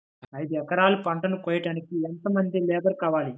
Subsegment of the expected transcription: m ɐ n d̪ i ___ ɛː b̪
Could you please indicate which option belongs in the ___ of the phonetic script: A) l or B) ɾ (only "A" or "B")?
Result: A